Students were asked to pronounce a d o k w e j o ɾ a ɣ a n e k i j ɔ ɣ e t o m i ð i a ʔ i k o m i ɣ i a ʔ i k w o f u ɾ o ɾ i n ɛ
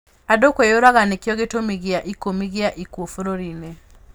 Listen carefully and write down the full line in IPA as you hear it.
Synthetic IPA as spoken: a d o k w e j o ɾ a ɣ a n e k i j ɔ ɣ e t o m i ɣ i a ʔ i k o m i ɣ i a ʔ i k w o f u ɾ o ɾ i n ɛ

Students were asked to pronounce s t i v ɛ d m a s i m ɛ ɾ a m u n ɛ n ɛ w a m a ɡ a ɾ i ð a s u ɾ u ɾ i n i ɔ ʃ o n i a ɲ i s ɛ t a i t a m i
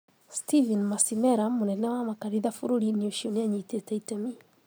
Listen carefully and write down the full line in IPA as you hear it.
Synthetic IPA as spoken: s t i v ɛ n m a s i m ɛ ɾ a m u n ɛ n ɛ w a m a k a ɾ i ð a f u ɾ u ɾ i n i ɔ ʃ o n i a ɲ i t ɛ t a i t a m i

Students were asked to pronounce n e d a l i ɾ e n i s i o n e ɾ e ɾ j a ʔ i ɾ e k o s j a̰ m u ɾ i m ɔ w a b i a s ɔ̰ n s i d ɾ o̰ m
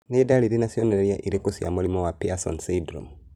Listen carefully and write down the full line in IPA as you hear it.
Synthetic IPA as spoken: n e d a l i ɾ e n a s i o n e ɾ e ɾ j a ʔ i ɾ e k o s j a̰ m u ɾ i m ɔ w a p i a s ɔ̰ n s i d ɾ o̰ m

